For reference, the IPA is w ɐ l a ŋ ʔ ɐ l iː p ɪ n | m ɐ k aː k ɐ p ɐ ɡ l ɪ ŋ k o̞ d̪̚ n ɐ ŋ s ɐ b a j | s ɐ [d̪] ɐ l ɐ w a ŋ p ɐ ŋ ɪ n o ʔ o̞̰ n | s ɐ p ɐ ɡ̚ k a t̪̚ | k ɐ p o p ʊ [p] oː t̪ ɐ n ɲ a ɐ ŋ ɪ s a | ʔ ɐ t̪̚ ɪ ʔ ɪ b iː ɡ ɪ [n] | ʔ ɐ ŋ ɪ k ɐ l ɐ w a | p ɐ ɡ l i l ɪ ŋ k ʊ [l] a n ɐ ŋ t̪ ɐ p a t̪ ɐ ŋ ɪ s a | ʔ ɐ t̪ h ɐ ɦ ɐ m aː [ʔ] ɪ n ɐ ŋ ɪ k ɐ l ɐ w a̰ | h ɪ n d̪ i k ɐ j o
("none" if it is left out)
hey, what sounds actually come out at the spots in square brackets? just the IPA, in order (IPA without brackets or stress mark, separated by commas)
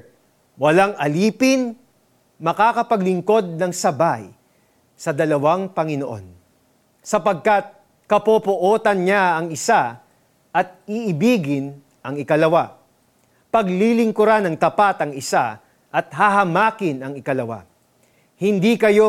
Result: d̪, ʔ, n, ɾ, k